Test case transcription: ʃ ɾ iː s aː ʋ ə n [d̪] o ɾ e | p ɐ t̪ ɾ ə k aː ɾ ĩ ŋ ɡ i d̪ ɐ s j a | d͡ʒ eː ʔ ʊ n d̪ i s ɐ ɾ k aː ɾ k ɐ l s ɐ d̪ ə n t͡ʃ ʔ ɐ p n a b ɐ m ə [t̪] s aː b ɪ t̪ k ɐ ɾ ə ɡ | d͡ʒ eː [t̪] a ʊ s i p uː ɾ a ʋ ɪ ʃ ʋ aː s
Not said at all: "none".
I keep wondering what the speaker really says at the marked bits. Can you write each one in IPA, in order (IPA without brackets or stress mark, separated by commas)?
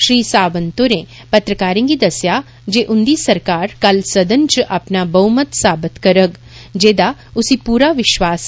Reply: t̪, t̪, d̪